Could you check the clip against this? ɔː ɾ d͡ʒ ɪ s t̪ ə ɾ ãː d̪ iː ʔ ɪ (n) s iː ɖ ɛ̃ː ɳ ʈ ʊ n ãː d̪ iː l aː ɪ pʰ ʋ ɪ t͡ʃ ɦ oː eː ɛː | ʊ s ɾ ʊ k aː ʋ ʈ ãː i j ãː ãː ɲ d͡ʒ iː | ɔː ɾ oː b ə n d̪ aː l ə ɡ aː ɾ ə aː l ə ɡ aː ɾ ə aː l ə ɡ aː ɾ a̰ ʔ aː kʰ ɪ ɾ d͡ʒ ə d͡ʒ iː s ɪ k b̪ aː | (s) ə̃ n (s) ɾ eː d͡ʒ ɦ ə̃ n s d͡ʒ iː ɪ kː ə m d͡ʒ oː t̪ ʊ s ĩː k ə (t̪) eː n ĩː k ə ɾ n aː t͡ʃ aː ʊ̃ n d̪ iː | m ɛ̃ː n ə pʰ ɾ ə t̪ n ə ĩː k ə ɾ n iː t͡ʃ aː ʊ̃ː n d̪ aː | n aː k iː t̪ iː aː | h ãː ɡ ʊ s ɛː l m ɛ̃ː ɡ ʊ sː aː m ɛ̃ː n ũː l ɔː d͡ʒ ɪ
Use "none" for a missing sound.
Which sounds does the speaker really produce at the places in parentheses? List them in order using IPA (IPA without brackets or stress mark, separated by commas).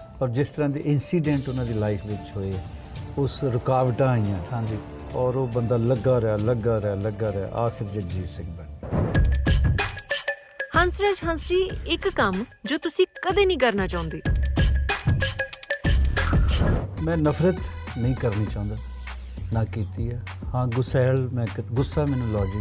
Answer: n, h, s, d̪